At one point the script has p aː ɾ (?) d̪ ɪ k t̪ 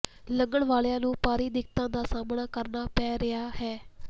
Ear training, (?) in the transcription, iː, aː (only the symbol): iː